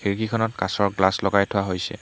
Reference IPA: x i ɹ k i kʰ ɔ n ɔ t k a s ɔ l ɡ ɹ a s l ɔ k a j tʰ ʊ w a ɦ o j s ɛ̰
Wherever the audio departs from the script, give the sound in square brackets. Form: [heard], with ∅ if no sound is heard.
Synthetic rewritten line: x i ɹ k i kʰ ɔ n ɔ t k a s ɔ [ɹ] ɡ [l] a s l ɔ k a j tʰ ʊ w a ɦ o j s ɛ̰